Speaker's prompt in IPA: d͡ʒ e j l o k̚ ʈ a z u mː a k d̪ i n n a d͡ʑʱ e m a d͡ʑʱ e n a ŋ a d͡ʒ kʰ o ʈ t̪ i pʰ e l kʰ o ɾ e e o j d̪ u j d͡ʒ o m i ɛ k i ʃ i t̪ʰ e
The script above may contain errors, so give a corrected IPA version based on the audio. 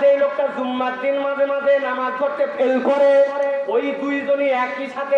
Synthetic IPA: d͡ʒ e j l o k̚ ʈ a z u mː a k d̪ i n m a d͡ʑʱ e m a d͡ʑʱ e n a m a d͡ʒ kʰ o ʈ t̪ e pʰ e l k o ɾ e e o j d̪ u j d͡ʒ o n i ɛ k i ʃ a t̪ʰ e